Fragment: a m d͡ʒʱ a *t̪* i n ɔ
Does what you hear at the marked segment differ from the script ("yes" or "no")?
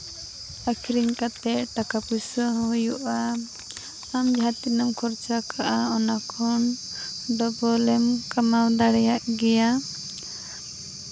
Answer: no